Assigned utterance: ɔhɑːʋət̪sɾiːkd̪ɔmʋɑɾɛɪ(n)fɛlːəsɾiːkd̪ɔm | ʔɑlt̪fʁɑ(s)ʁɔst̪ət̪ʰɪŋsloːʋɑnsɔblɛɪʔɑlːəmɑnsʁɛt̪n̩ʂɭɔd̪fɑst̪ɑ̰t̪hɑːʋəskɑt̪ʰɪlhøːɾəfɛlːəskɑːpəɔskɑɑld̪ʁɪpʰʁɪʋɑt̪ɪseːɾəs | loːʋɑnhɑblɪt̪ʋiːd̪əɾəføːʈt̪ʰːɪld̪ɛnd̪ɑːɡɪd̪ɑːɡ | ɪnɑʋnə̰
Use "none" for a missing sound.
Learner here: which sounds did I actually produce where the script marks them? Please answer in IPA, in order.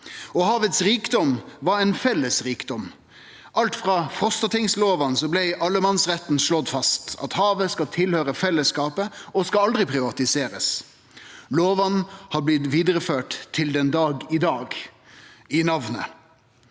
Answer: n, f

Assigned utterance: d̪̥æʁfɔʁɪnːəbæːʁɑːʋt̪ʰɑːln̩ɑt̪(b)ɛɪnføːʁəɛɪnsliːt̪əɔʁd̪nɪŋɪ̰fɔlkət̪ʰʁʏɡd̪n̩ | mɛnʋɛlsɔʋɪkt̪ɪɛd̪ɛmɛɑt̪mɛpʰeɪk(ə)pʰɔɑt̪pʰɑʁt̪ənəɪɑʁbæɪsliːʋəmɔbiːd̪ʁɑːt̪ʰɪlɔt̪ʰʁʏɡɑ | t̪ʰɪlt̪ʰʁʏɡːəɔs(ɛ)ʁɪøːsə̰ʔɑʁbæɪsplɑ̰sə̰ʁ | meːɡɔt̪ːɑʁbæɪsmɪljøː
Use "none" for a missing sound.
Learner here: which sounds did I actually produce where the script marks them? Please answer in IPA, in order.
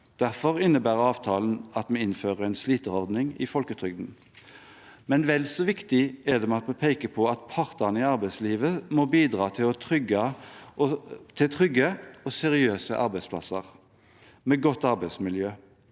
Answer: m, ə, ɛ

